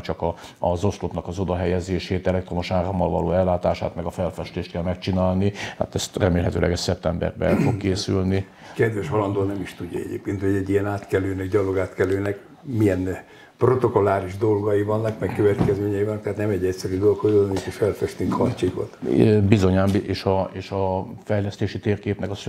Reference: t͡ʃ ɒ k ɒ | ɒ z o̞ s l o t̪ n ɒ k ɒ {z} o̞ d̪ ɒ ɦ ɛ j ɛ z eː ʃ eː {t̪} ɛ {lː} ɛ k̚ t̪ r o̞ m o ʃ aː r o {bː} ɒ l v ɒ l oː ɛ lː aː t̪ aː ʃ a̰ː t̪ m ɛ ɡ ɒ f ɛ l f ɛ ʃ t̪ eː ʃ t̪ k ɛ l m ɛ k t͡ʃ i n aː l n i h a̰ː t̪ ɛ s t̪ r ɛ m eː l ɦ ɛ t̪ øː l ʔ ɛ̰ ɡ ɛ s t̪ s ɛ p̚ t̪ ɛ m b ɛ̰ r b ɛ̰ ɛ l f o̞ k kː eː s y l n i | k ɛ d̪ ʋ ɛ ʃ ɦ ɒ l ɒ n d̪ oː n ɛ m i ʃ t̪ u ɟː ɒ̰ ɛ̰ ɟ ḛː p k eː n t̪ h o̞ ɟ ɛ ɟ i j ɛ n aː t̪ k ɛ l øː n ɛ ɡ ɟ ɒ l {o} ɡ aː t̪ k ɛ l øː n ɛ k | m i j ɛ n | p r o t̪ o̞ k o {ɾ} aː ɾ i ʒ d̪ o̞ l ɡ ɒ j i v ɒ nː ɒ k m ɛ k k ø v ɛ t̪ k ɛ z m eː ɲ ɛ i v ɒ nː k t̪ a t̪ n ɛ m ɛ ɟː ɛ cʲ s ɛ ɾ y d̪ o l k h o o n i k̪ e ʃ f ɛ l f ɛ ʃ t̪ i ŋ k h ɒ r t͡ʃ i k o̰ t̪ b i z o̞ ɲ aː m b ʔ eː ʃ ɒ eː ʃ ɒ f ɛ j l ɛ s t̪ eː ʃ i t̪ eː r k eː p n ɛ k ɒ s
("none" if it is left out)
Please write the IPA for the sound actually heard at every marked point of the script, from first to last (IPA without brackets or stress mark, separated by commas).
z, t̪, l, mː, o, l